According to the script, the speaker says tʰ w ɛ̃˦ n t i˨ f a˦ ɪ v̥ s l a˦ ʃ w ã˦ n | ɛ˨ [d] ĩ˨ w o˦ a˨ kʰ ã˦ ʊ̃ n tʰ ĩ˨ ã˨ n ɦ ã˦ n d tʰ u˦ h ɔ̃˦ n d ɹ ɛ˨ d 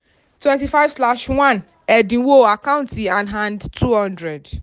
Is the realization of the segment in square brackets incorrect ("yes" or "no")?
no